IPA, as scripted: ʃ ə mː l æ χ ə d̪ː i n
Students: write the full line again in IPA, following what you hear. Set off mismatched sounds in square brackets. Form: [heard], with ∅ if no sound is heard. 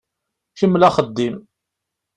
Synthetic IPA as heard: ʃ ə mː l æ χ ə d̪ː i [m]

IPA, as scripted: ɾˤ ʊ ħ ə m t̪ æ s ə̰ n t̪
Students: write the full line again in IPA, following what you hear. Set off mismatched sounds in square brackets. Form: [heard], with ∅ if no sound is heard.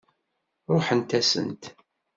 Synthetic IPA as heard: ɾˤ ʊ ħ ə [n] t̪ æ s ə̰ n t̪

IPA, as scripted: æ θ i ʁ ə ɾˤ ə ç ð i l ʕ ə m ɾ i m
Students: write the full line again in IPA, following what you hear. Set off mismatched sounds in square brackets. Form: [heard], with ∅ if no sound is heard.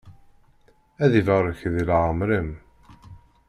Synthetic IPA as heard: æ [ð] i [v] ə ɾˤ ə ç ð i l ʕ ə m ɾ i m

